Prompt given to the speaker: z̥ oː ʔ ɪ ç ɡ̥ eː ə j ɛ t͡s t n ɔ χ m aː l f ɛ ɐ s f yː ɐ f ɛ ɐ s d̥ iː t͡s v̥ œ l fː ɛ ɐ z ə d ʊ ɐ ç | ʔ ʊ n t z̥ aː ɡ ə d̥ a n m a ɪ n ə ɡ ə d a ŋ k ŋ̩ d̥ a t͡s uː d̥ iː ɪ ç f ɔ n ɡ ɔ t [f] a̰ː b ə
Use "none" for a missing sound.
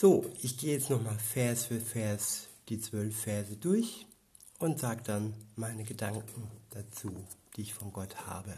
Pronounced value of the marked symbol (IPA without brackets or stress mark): h